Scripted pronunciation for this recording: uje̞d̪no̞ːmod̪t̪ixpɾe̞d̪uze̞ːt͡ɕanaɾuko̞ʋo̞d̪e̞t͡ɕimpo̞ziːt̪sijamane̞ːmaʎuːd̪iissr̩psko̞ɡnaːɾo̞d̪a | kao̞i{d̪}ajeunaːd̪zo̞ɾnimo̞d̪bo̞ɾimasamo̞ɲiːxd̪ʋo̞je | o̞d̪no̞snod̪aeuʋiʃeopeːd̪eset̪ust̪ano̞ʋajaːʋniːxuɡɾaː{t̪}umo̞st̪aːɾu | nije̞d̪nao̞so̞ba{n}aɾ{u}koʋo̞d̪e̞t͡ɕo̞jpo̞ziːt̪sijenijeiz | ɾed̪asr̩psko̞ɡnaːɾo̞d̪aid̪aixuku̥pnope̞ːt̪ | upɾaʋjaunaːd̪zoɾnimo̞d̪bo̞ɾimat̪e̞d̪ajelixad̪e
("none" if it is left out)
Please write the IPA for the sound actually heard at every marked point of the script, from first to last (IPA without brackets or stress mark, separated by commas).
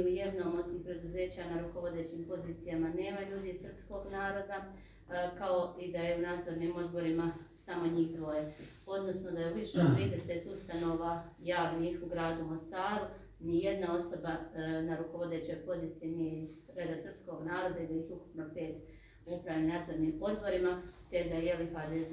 d̪, d̪, n, u